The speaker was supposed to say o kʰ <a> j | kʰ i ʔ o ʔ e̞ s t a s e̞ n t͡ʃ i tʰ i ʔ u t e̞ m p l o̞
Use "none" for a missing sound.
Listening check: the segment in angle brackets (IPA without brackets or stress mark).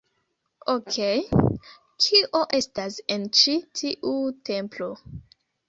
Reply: e